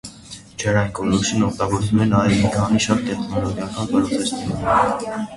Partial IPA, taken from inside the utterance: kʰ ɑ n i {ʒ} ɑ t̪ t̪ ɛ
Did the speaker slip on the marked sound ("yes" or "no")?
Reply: yes